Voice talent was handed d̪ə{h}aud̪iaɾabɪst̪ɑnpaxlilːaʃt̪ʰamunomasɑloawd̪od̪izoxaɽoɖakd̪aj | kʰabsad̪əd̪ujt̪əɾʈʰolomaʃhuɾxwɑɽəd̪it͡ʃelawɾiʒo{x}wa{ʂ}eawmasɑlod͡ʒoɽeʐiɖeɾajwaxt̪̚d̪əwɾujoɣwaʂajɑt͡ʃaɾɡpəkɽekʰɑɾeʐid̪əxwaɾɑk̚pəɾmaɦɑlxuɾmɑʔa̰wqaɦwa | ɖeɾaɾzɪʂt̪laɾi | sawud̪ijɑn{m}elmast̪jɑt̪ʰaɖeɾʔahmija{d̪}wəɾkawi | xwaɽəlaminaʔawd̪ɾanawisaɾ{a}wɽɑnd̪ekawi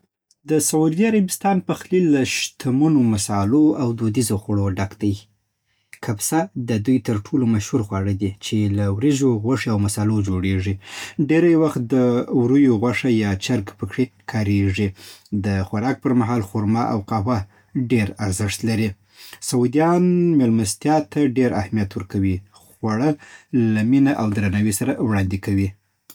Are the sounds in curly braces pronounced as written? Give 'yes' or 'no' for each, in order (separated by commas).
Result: no, no, yes, yes, no, yes